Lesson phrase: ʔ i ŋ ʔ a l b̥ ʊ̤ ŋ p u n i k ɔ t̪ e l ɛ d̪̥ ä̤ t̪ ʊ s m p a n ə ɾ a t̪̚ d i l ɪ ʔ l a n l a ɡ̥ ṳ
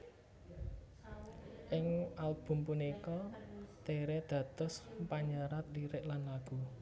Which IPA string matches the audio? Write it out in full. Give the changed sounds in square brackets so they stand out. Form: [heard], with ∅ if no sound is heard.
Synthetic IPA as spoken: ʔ [ɪ] ŋ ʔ a l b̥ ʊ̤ [m] p u n i k ɔ t̪ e [ɾ] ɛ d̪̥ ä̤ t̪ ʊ s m p a [ɲ] ə ɾ a t̪̚ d i [ɾ] ɪ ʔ l a n l a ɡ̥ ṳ